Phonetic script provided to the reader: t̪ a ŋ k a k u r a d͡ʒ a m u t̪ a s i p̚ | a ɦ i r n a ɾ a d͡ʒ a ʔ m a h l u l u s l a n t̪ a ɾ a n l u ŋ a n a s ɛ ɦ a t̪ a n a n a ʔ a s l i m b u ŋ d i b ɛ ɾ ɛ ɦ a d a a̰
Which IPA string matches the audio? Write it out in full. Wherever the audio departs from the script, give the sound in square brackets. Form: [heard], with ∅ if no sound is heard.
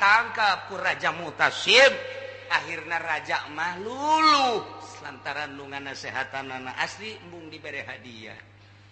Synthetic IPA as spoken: t̪ a ŋ k a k u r a d͡ʒ a m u t̪ a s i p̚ | a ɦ i r n a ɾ a d͡ʒ a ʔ m a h l u l u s l a n t̪ a ɾ a n l u ŋ a n a s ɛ ɦ a t̪ a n a n a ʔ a s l i m b u ŋ d i b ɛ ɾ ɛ ɦ a d [i] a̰

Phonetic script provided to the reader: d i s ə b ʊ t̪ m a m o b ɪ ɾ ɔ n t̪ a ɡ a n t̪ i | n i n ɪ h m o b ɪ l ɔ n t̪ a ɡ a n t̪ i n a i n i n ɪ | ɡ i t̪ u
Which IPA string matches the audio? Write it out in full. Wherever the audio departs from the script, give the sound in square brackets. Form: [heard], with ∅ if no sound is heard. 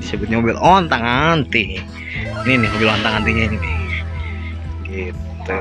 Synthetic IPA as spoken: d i s ə b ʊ t̪ [ɲ] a m o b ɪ [l] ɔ n t̪ a [ŋ] a n t̪ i | n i n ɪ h m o b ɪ l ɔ n t̪ a [ŋ] a n t̪ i [ɲ] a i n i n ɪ | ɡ i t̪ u

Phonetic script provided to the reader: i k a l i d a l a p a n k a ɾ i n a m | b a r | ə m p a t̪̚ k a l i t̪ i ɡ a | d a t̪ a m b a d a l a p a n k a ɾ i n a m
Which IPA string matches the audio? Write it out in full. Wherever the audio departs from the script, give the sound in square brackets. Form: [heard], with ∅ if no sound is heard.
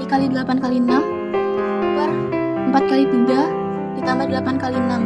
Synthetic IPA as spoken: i k a l i d [ə] l a p a n k a [l] i n a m | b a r | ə m p a t̪̚ k a l i t̪ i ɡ a | d [i] t̪ a m b a d [ə] l a p a n k a [l] i n a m

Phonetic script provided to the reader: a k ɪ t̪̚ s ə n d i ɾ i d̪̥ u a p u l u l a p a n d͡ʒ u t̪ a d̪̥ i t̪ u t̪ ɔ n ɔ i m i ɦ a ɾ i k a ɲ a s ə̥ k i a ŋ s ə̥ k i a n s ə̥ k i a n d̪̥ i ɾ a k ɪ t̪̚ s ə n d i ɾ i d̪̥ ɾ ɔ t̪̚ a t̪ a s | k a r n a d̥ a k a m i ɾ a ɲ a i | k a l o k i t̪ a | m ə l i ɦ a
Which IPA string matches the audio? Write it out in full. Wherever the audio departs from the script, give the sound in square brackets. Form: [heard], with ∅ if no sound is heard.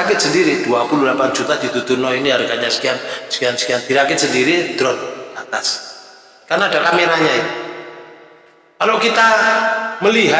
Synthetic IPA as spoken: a k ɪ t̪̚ s ə n d i ɾ i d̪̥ u a p u l u l a p a n d͡ʒ u t̪ a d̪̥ i t̪ u t̪ [u] n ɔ i [n] i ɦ a ɾ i k a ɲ a s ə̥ k i a [n] s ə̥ k i a n s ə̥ k i a n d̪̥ i ɾ a k ɪ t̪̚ s ə n d i ɾ i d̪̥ ɾ ɔ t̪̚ a t̪ a s | k a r n a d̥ a k a m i ɾ a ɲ a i | k a l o k i t̪ a | m ə l i ɦ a

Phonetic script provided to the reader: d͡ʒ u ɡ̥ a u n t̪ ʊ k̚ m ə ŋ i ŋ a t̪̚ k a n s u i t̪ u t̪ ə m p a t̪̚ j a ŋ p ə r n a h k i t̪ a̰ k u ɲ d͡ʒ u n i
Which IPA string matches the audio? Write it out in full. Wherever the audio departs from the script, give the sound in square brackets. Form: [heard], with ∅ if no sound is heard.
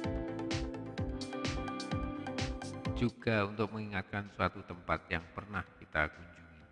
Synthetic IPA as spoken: d͡ʒ u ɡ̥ a u n t̪ ʊ k̚ m ə ŋ i ŋ a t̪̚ k a n s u [a] t̪ u t̪ ə m p a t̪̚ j a ŋ p ə r n a h k i t̪ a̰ k u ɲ d͡ʒ u [ŋ] i

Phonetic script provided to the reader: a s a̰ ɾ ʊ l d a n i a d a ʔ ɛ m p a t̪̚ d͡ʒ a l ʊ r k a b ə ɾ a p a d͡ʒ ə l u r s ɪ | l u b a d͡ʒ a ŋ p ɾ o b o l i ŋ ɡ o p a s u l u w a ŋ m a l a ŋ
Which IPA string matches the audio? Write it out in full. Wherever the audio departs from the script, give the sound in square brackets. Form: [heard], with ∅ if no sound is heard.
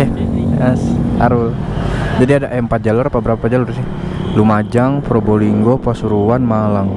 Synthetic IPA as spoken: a s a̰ ɾ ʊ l [d͡ʒ] a [d] i a d a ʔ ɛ m p a t̪̚ d͡ʒ a l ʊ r [p] a b ə ɾ a p a d͡ʒ [a] l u r s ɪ | l u [m] a d͡ʒ a ŋ p ɾ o b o l i ŋ ɡ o p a s u [ɾ] u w a [n] m a l a ŋ

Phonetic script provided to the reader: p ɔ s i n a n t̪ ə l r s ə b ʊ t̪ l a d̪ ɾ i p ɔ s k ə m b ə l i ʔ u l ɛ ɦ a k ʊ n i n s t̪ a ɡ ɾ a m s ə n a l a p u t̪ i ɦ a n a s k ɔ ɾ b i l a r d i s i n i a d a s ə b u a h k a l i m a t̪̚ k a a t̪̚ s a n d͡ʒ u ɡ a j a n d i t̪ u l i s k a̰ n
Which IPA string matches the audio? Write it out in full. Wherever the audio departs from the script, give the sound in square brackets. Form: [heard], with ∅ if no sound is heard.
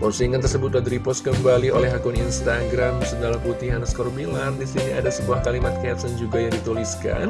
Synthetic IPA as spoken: p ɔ s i [ŋ] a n t̪ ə [∅] r s ə b ʊ t̪ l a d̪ ɾ i p ɔ s k ə m b [a] l i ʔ [o] l ɛ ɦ a k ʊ n i n s t̪ a ɡ ɾ a m s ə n a l a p u t̪ i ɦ a n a s k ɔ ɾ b i l a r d i s i n i a d a s ə b u a h k a l i m a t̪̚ k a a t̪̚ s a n d͡ʒ u ɡ a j a [ŋ] d i t̪ u l i s k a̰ n

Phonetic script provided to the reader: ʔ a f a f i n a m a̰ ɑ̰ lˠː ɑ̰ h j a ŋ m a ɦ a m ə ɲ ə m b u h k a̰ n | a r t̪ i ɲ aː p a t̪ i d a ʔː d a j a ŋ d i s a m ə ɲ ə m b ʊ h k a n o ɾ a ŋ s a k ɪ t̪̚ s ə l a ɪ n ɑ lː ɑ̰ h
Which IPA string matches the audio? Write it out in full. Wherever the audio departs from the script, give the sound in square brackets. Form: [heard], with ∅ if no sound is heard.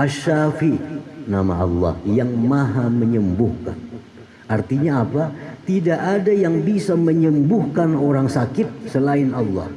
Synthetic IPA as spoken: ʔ a [ʃ] a f i n a m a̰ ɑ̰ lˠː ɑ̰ h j a ŋ m a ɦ a m ə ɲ ə m b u h k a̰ n | a r t̪ i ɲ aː p a t̪ i d a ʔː d a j a ŋ [b] i s a m ə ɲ ə m b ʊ h k a n o ɾ a ŋ s a k ɪ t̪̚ s ə l a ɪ n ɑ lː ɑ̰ h

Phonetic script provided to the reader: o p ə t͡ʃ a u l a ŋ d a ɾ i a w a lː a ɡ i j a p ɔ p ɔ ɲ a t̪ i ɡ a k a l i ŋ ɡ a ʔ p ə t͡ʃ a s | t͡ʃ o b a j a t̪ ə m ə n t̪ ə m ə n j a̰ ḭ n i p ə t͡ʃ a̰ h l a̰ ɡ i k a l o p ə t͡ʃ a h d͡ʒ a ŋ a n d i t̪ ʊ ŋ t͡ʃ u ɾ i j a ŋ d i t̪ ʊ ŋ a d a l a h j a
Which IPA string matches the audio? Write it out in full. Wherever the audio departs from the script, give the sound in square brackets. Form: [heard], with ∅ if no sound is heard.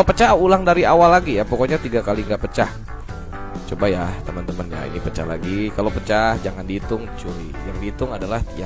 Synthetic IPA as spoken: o p ə t͡ʃ a u l a ŋ d a ɾ i a w a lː a ɡ i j a p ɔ [k] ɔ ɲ a t̪ i ɡ a k a l i ŋ ɡ a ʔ p ə t͡ʃ a [h] | t͡ʃ o b a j a t̪ ə m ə n t̪ ə m ə n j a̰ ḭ n i p ə t͡ʃ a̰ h l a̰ ɡ i k a l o p ə t͡ʃ a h d͡ʒ a ŋ a n d i t̪ ʊ ŋ t͡ʃ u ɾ i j a ŋ d i t̪ ʊ ŋ a d a l a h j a

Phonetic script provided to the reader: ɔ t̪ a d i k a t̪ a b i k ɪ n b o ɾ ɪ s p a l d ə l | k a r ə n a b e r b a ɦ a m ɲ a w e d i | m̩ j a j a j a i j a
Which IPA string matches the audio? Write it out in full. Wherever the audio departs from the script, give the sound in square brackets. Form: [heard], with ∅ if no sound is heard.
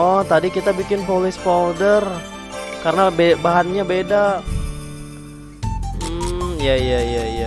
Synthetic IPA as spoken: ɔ t̪ a d i k [i] t̪ a b i k ɪ n [p] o [l] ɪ s p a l d ə [r] | k a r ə n a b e [∅] b a ɦ a [n] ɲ a [b] e d [a] | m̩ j a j a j a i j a

